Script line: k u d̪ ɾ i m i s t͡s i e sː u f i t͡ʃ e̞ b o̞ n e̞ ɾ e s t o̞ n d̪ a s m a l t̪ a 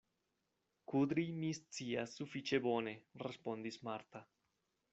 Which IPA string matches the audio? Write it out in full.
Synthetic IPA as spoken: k u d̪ ɾ i m i s t͡s i a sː u f i t͡ʃ e̞ b o̞ n e̞ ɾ e s p o̞ n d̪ i s m a ɾ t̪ a